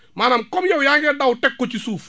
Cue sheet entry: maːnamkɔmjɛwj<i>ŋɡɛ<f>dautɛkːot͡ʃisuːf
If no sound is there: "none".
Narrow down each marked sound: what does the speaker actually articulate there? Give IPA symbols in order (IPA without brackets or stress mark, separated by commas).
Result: a, none